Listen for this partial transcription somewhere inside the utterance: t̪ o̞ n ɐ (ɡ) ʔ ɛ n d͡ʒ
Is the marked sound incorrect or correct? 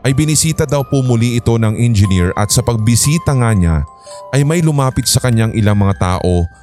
incorrect